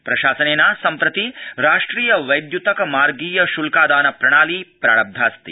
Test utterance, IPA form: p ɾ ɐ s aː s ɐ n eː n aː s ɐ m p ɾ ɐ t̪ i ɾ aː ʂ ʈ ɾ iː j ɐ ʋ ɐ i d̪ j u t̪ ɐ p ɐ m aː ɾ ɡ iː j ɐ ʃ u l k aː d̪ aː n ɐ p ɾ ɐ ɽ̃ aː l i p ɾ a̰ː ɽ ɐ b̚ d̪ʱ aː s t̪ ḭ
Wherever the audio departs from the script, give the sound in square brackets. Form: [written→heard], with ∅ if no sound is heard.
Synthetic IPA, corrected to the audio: p ɾ ɐ [s→ʃ] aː s ɐ n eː n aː s ɐ m p ɾ ɐ t̪ i ɾ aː ʂ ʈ ɾ iː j ɐ ʋ ɐ [i→j] d̪ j u t̪ ɐ [p→k] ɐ m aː ɾ ɡ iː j ɐ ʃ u l k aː d̪ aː n ɐ p ɾ ɐ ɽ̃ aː l i p ɾ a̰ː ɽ ɐ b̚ d̪ʱ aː s t̪ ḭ

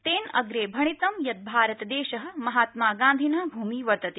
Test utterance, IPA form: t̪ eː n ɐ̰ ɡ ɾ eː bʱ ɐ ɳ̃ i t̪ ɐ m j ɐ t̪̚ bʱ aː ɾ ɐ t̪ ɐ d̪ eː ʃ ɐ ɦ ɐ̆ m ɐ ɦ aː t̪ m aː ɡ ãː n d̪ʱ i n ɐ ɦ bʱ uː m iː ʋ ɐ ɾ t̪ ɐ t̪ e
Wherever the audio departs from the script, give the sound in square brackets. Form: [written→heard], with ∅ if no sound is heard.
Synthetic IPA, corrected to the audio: t̪ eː n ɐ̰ ɡ ɾ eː bʱ ɐ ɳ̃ i t̪ ɐ m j ɐ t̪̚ bʱ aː ɾ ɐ t̪ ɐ d̪ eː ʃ ɐ ɦ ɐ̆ m ɐ ɦ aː t̪ m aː ɡ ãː n d̪ʱ i n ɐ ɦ bʱ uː m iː ʋ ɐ ɾ t̪ ɐ t̪ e

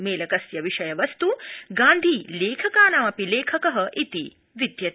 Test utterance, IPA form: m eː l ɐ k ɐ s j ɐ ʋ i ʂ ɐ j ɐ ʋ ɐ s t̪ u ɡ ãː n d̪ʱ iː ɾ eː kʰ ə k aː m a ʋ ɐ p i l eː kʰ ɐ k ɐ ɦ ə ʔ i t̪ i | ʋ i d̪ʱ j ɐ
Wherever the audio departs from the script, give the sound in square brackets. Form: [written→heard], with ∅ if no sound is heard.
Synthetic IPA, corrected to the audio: m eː l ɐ k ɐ s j ɐ ʋ i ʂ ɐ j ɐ ʋ ɐ s t̪ u ɡ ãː n d̪ʱ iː [ɾ→l] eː kʰ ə k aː [m→n] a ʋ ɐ p i l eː kʰ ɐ k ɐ ɦ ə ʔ i t̪ i | ʋ i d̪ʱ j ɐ

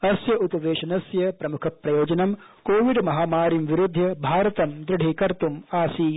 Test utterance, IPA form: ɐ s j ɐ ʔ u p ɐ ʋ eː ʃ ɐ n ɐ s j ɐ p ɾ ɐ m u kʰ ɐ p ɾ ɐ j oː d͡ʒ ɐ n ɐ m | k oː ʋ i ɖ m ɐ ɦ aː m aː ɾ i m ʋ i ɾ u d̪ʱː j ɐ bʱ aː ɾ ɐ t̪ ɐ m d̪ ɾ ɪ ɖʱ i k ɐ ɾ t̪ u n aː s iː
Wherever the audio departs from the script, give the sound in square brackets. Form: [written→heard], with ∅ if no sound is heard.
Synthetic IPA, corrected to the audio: ɐ s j ɐ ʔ u p ɐ ʋ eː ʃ ɐ n ɐ s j ɐ p ɾ ɐ m u kʰ ɐ p ɾ ɐ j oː d͡ʒ ɐ n ɐ m | k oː ʋ i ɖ m ɐ ɦ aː m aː ɾ i m ʋ i ɾ u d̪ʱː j ɐ bʱ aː ɾ ɐ t̪ ɐ m d̪ ɾ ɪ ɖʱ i k ɐ ɾ t̪ u [n→m] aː s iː

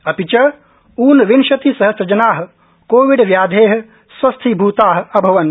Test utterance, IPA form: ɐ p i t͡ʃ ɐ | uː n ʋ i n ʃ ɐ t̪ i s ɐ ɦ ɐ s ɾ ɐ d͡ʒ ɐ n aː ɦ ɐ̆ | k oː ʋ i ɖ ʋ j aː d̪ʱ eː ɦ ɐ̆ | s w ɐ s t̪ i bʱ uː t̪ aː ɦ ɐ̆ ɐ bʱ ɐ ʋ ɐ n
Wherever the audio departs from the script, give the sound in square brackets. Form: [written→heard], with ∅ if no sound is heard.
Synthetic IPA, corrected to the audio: ɐ p i t͡ʃ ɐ | uː n ʋ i n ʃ ɐ t̪ i s ɐ ɦ ɐ s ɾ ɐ d͡ʒ ɐ n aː ɦ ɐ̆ | k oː ʋ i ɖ ʋ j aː d̪ʱ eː ɦ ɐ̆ | s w ɐ s [t̪→t̪ʰ] i bʱ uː t̪ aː ɦ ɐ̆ ɐ bʱ ɐ ʋ ɐ n

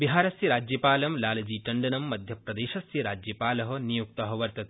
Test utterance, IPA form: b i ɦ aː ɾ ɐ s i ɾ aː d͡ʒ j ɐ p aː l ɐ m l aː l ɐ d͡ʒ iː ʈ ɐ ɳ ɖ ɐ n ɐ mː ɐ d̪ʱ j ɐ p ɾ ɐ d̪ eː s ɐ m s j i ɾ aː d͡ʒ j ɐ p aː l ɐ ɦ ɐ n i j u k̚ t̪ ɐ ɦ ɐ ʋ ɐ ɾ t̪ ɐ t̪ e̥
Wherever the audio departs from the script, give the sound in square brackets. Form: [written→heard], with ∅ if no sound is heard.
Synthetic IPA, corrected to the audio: b i ɦ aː ɾ ɐ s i ɾ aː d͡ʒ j ɐ p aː l ɐ m l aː l ɐ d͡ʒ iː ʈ ɐ ɳ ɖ ɐ n ɐ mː ɐ d̪ʱ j ɐ p ɾ ɐ d̪ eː [s→ʃ] ɐ [m→∅] s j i ɾ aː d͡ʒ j ɐ p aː l ɐ ɦ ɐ n i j u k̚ t̪ ɐ ɦ ɐ ʋ ɐ ɾ t̪ ɐ t̪ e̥

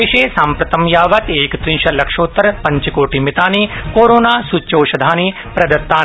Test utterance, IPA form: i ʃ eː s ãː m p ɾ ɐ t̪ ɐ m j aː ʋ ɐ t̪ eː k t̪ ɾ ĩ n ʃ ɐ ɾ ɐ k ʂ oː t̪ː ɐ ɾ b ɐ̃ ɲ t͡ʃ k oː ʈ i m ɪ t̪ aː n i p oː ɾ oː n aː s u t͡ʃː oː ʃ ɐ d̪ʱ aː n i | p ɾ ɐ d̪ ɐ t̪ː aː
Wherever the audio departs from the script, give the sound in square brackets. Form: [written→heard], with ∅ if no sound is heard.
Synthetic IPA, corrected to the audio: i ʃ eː s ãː m p ɾ ɐ t̪ ɐ m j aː ʋ ɐ t̪ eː k t̪ ɾ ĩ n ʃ ɐ [ɾ→l] ɐ k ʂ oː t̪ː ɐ ɾ [b→p] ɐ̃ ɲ t͡ʃ k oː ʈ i m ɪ t̪ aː n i [p→k] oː ɾ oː n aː s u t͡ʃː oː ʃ ɐ d̪ʱ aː n i | p ɾ ɐ d̪ ɐ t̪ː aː

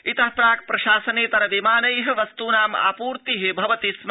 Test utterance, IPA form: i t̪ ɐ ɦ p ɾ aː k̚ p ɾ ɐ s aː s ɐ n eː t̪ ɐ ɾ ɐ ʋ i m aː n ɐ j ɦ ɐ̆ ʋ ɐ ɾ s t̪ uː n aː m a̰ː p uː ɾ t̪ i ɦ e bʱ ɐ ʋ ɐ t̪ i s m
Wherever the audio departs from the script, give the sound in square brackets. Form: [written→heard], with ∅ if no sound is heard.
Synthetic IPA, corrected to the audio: i t̪ ɐ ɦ p ɾ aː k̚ p ɾ ɐ [s→ʃ] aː s ɐ n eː t̪ ɐ ɾ ɐ ʋ i m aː n ɐ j ɦ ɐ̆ ʋ ɐ [ɾ→∅] s t̪ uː n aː m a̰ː p uː ɾ t̪ i ɦ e bʱ ɐ ʋ ɐ t̪ i s m

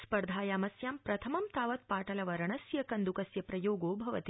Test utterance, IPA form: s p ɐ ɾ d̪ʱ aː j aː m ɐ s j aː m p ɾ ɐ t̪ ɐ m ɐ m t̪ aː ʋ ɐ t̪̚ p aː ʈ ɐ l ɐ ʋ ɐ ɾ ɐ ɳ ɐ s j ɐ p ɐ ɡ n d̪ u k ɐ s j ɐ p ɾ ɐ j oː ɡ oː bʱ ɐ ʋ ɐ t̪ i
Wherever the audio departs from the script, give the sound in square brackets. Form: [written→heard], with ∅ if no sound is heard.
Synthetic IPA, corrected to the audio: s p ɐ ɾ d̪ʱ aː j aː m ɐ s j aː m p ɾ ɐ [t̪→t̪ʰ] ɐ m ɐ m t̪ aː ʋ ɐ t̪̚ p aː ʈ ɐ l ɐ ʋ ɐ ɾ ɐ ɳ ɐ s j ɐ [p→k] ɐ [ɡ→∅] n d̪ u k ɐ s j ɐ p ɾ ɐ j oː ɡ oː bʱ ɐ ʋ ɐ t̪ i

